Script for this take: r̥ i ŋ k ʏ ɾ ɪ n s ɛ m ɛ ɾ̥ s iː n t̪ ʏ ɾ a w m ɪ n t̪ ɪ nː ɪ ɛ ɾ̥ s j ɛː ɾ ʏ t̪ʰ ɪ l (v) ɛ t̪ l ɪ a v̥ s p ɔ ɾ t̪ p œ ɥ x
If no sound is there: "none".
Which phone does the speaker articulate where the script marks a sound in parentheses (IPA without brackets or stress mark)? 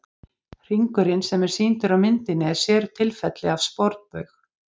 f